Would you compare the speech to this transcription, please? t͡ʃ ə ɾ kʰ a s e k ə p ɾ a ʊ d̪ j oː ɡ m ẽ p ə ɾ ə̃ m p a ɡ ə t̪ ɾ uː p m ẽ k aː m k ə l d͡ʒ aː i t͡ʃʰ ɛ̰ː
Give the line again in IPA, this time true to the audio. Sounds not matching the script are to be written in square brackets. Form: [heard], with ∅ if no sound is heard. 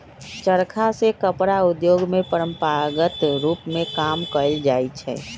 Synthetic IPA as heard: t͡ʃ ə ɾ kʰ a s e k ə p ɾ a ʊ d̪ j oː ɡ m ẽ p ə ɾ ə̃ m p a ɡ ə t̪ ɾ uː p m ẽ k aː m k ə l d͡ʒ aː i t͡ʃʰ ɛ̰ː